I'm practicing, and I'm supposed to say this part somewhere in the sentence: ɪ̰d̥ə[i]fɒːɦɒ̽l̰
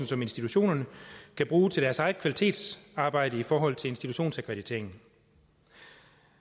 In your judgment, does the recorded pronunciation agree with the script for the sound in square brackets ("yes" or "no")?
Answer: yes